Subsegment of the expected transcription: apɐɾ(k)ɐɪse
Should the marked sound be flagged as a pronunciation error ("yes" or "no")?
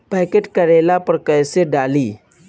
no